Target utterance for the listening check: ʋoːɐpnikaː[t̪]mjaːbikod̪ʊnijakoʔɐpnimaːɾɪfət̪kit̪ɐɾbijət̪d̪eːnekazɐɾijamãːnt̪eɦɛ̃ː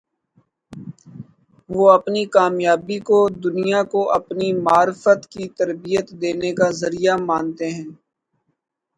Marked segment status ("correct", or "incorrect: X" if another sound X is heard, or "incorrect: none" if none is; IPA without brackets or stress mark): incorrect: none